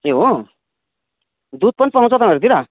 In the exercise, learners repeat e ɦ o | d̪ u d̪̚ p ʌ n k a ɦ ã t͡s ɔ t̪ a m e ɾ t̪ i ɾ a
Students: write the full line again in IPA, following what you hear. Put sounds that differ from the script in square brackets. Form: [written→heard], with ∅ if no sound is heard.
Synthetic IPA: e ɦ o | d̪ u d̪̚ p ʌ n [k→p] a ɦ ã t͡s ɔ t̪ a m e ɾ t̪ i ɾ a